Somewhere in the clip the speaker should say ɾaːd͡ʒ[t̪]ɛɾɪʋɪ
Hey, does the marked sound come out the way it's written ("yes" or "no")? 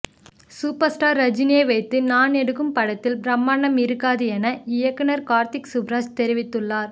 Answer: yes